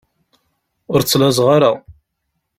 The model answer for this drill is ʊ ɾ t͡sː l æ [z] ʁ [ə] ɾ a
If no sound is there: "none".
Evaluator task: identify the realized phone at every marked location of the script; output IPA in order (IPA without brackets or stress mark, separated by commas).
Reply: z, a